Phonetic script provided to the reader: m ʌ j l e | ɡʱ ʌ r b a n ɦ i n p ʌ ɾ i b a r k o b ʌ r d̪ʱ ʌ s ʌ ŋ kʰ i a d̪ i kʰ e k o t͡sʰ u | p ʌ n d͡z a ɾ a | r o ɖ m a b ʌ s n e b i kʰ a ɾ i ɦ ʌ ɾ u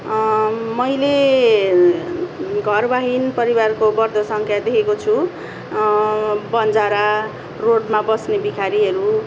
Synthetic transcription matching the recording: m ʌ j l e | ɡʱ ʌ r b a ɦ i n p ʌ ɾ i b a r k o b ʌ r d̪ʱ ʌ s ʌ ŋ kʰ j a d̪ e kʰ e k o t͡sʰ u | b ʌ n d͡z a ɾ a | r o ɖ m a b ʌ s n e b i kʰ a ɾ i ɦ ʌ ɾ u